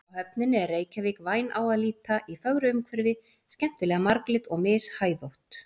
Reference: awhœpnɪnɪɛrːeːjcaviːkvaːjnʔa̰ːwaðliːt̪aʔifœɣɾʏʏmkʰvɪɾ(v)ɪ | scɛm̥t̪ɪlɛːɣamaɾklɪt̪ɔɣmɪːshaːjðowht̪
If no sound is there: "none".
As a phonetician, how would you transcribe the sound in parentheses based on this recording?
v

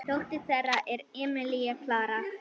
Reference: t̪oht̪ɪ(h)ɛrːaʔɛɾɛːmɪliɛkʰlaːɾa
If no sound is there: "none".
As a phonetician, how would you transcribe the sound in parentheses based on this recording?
s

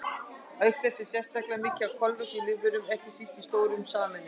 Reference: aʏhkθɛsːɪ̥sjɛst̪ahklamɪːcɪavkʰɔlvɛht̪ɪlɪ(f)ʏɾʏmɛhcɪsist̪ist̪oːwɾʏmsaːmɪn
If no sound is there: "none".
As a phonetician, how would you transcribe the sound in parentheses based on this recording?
v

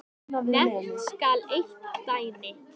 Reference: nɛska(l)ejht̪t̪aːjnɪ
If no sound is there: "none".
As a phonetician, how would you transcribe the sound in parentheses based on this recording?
l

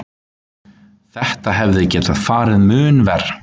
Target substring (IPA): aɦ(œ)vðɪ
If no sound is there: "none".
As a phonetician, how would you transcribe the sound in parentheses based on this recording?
ɛ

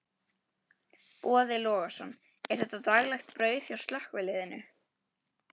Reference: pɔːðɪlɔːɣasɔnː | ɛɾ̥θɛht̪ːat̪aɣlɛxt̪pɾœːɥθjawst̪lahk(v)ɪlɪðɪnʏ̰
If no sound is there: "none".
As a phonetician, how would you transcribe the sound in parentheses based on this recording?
v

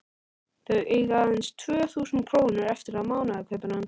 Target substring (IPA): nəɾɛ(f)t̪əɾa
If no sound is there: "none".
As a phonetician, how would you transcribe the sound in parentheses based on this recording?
f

